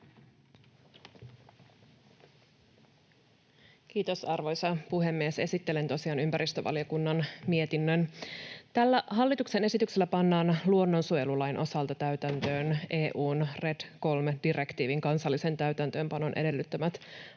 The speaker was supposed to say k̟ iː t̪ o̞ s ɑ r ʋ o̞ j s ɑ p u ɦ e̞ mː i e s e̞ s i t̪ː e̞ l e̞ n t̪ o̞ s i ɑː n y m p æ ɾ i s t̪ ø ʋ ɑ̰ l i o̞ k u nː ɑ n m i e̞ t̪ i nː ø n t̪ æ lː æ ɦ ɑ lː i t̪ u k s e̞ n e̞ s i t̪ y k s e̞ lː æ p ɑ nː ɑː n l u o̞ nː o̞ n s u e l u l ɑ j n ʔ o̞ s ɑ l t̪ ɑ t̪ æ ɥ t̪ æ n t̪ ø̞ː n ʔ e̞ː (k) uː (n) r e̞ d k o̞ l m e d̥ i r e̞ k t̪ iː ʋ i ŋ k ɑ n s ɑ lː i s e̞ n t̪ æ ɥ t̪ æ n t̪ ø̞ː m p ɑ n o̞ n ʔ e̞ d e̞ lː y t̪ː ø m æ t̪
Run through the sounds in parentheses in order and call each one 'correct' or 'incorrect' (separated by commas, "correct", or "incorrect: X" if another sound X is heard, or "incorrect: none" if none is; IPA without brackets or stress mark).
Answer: incorrect: ʔ, correct